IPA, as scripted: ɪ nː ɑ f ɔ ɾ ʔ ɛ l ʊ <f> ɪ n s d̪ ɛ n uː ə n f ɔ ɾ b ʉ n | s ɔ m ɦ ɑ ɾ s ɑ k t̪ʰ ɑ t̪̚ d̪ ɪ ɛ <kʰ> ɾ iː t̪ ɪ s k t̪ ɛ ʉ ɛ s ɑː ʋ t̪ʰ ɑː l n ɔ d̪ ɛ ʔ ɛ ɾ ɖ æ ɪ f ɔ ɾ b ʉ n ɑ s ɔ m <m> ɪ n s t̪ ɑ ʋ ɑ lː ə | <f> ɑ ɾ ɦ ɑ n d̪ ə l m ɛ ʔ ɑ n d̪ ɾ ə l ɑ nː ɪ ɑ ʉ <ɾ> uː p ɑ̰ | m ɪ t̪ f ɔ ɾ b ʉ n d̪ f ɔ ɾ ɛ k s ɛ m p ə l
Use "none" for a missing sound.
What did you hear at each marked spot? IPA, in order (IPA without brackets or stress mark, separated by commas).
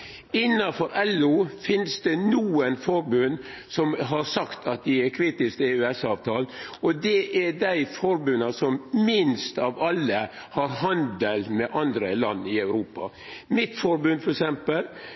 f, kʰ, m, h, ɾ